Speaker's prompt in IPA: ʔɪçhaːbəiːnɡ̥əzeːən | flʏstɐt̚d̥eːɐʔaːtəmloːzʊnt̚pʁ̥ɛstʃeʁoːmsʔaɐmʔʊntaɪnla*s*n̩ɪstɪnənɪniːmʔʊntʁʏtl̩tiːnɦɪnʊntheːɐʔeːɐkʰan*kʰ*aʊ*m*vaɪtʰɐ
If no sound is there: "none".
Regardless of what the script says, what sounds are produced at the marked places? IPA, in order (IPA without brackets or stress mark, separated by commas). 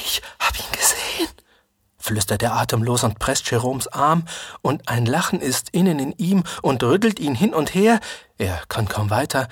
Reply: χ, kʰ, m